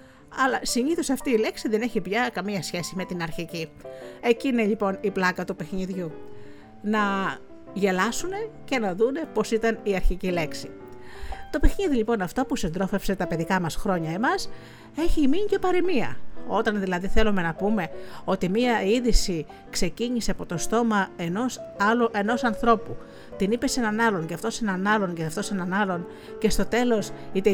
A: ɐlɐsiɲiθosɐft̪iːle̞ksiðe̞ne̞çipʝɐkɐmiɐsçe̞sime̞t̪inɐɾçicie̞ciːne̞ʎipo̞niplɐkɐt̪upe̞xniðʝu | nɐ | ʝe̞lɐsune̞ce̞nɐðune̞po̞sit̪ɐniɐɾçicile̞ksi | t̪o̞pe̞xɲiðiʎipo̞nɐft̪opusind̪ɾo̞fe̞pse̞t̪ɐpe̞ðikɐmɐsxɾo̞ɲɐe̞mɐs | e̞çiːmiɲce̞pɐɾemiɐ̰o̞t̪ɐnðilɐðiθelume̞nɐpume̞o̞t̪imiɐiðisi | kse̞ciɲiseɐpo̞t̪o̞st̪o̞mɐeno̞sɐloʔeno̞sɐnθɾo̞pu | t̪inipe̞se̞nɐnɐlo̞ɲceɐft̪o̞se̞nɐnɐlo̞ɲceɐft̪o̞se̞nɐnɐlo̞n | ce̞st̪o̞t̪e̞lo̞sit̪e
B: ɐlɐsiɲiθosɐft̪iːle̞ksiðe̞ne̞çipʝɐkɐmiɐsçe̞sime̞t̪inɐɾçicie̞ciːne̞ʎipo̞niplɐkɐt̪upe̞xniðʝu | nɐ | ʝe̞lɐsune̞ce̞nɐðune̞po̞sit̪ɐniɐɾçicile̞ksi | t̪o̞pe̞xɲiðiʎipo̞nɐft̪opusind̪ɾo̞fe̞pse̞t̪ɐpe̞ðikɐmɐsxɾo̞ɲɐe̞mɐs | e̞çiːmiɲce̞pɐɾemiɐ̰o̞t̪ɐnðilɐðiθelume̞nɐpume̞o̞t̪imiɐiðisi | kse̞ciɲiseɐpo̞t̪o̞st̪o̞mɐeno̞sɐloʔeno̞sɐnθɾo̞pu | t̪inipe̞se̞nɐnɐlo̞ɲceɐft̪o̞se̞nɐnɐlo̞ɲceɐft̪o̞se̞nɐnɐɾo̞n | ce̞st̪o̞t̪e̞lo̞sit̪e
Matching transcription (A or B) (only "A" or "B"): A